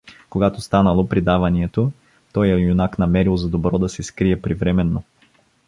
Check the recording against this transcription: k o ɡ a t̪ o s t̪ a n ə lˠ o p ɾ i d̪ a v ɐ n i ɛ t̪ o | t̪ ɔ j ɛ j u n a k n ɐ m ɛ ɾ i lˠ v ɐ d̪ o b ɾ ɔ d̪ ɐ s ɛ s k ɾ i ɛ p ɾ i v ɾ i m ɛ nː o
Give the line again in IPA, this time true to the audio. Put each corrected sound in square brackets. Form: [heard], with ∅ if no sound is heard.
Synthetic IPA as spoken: k o ɡ a t̪ o s t̪ a n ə lˠ o p ɾ i d̪ a v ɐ n i ɛ t̪ o | t̪ ɔ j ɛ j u n a k n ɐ m ɛ ɾ i lˠ [z] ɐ d̪ o b ɾ ɔ d̪ ɐ s ɛ s k ɾ i ɛ p ɾ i v ɾ [ɛ] m ɛ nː o